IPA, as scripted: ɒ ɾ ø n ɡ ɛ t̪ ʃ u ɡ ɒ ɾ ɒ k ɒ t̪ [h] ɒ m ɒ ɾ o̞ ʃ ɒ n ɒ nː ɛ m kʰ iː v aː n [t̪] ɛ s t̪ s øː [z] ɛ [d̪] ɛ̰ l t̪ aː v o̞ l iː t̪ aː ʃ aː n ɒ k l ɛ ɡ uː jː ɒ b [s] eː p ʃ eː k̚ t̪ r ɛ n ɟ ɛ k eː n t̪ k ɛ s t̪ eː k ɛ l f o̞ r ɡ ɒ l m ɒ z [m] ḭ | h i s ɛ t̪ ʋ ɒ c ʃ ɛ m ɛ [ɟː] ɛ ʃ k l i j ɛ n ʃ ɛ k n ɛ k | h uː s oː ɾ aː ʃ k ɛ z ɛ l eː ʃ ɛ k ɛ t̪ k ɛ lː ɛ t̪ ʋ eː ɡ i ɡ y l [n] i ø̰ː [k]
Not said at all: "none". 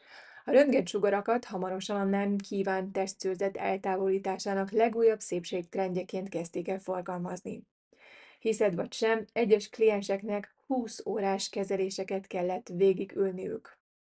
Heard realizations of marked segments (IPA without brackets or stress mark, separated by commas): h, t̪, z, t̪, s, n, ɟː, n, k